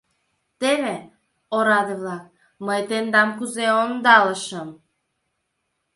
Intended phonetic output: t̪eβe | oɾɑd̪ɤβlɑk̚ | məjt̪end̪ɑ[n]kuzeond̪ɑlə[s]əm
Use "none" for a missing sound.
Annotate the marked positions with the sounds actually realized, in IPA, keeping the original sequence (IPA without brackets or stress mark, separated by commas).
m, ʃ